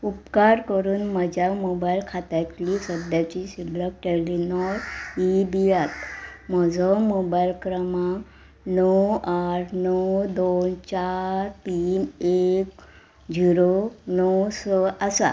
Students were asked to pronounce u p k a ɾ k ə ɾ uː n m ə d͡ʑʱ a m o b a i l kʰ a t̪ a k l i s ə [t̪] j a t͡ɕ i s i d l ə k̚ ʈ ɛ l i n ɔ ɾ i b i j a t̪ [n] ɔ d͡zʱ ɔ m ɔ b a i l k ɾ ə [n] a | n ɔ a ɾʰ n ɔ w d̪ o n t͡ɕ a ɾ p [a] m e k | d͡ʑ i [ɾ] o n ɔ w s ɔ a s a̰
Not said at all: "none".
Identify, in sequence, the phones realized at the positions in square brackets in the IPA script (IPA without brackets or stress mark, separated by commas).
d̪, m, m, i, ɾ